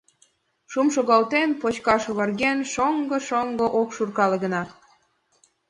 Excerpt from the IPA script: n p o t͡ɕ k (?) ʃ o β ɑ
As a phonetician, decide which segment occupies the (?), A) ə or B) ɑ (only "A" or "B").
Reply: B